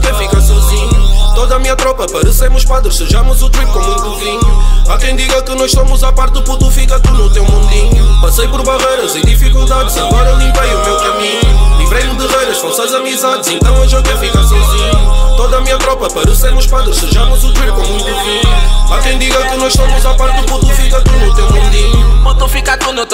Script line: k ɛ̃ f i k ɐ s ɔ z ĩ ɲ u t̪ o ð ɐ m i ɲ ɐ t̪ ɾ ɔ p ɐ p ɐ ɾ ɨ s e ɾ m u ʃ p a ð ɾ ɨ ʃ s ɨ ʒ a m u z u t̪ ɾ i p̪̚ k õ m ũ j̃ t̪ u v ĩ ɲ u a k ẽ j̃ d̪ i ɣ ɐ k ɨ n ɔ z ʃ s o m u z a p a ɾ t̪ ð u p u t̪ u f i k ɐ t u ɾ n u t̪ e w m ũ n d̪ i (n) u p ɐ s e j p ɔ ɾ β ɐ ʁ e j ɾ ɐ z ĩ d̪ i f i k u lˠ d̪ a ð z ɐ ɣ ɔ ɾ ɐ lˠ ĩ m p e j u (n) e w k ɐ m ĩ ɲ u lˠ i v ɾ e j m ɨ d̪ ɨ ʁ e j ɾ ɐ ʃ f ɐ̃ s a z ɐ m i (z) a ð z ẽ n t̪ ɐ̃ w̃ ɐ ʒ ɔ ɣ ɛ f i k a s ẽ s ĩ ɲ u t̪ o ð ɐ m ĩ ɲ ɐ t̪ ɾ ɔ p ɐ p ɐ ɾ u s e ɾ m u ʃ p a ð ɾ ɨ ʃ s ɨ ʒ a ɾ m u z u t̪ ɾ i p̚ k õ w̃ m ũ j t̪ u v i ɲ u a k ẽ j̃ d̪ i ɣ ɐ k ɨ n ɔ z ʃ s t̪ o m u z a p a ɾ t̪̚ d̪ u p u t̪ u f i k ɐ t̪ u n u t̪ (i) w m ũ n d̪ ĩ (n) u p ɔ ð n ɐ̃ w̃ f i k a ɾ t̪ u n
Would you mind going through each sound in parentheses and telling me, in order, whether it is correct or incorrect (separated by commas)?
incorrect, incorrect, correct, incorrect, incorrect